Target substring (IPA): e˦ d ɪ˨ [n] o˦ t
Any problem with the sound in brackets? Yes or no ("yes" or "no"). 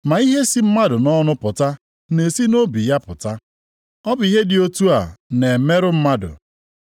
yes